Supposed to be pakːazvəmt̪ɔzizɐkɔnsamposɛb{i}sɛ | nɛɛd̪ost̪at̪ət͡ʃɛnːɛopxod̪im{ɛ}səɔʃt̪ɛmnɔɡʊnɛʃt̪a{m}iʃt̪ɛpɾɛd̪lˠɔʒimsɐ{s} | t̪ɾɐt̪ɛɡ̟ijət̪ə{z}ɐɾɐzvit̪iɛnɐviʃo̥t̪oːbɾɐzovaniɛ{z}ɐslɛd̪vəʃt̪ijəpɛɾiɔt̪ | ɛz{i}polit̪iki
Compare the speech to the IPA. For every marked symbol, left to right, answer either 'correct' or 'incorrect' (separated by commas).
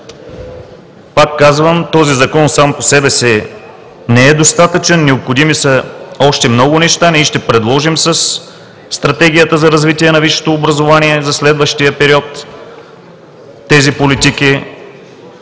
incorrect, incorrect, incorrect, incorrect, correct, correct, correct